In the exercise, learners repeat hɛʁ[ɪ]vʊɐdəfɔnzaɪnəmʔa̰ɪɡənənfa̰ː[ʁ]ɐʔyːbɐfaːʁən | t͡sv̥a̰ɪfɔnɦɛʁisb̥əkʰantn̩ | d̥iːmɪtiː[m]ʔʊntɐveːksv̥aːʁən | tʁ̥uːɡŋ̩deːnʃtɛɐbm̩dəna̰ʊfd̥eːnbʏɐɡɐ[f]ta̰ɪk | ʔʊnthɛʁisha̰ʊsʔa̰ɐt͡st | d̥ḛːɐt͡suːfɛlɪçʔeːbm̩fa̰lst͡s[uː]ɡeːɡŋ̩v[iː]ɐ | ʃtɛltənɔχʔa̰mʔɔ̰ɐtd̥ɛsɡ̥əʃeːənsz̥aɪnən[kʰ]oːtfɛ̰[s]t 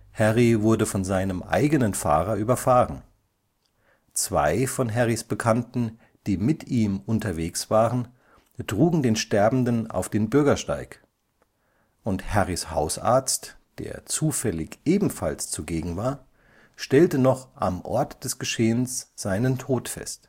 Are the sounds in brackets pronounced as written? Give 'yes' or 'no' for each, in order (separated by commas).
no, yes, yes, no, no, no, no, yes